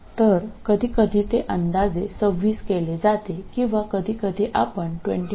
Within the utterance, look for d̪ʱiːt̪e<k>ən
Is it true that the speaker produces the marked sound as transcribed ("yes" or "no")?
no